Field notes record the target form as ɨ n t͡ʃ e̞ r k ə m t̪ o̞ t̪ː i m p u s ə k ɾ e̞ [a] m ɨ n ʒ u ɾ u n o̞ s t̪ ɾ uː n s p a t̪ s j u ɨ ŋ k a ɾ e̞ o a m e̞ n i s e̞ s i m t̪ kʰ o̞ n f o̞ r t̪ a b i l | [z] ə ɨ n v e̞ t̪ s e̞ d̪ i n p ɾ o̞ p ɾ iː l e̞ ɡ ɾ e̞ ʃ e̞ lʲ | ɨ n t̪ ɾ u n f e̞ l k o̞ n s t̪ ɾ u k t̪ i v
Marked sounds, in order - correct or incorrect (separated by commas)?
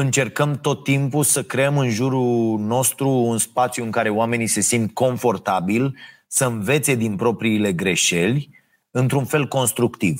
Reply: incorrect, incorrect